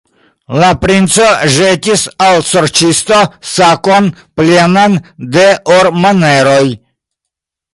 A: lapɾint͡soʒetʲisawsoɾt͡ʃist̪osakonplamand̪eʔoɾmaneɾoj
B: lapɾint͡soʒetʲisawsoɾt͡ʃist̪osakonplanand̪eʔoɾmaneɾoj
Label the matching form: B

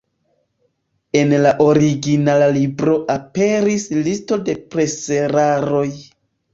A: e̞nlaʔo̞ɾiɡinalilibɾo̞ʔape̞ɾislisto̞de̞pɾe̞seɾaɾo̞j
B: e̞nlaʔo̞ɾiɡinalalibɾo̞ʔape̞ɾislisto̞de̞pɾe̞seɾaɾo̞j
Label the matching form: B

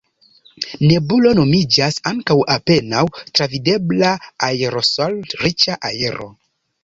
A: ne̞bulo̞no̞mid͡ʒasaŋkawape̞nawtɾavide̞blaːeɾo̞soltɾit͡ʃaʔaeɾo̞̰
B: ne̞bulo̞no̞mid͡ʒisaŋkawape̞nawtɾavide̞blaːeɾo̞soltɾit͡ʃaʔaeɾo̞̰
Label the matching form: A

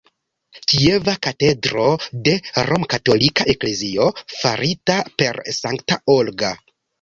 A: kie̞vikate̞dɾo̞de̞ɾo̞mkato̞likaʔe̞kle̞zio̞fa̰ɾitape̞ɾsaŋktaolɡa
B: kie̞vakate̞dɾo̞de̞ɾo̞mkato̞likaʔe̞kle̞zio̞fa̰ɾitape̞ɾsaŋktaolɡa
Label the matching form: B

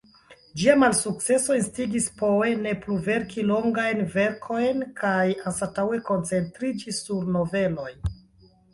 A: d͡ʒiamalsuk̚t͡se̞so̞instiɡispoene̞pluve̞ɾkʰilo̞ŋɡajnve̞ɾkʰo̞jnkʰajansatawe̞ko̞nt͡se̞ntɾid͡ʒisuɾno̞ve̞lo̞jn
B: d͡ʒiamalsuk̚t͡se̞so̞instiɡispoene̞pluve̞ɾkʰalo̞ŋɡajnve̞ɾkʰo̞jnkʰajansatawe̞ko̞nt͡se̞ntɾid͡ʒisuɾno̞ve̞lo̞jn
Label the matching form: A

